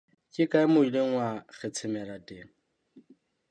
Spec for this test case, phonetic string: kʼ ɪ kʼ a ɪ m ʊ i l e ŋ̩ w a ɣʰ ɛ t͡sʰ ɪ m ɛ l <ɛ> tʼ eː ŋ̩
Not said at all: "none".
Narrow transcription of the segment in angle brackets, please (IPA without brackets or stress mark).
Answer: a